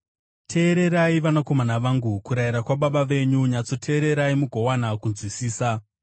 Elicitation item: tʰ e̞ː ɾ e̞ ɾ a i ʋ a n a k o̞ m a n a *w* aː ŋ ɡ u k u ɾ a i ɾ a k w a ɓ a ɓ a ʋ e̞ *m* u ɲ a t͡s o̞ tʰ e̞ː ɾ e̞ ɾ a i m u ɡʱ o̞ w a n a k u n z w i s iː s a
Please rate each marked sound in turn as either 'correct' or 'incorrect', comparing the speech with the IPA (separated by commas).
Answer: incorrect, incorrect